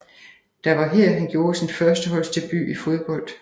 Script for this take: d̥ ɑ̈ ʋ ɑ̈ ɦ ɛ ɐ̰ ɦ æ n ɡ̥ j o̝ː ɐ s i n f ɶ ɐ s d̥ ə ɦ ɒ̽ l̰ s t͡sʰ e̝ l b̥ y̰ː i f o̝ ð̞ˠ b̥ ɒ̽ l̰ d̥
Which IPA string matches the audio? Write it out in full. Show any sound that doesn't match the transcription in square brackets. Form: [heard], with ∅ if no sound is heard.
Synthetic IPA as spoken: d̥ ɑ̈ ʋ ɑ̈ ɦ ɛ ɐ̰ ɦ æ n ɡ̥ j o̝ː ɐ s i n f ɶ ɐ s d̥ ə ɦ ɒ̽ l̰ s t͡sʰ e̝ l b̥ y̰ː i f o̝ ð̞ˠ b̥ ɒ̽ l̰ d̥